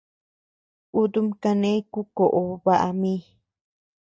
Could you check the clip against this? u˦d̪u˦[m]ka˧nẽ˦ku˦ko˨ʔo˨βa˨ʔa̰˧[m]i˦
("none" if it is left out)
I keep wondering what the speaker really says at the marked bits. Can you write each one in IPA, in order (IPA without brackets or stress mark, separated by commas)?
m, m